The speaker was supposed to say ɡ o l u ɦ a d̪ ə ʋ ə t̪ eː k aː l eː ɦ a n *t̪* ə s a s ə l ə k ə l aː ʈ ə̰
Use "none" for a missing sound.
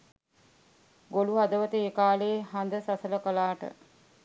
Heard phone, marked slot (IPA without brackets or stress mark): d̪